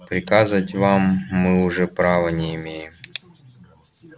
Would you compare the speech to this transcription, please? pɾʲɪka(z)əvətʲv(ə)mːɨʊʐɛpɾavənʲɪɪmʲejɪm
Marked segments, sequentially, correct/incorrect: correct, incorrect: a

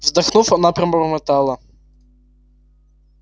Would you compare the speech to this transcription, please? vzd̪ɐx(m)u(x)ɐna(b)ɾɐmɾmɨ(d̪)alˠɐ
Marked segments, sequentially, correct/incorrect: incorrect: n, incorrect: f, incorrect: p, incorrect: t̪

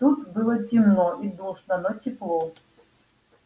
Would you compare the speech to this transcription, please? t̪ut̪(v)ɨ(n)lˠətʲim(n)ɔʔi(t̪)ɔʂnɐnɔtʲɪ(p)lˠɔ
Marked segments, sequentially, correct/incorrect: incorrect: b, incorrect: none, correct, incorrect: d̪, correct

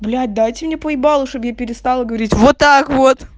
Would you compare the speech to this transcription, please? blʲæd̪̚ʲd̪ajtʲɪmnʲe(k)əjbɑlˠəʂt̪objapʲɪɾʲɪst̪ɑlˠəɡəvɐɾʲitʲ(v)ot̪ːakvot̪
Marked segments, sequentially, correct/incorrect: incorrect: p, correct

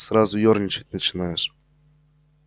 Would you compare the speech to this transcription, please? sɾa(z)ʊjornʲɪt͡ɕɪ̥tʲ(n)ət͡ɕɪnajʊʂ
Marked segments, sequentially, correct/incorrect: correct, correct

